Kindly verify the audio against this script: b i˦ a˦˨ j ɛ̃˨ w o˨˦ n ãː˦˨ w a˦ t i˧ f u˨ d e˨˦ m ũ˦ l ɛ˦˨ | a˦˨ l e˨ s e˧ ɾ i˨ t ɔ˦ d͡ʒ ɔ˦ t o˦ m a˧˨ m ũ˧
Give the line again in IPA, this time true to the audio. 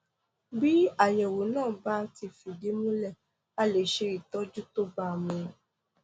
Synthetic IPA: b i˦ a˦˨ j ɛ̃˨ w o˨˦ n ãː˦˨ b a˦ t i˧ f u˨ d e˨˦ m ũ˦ l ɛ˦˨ | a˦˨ l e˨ ʃ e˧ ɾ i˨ t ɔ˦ d͡ʒ u˦ t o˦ b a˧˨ m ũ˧